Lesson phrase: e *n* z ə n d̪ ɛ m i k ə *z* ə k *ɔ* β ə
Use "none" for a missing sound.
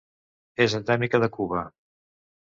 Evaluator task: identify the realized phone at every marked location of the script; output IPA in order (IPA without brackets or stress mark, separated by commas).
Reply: none, ð, u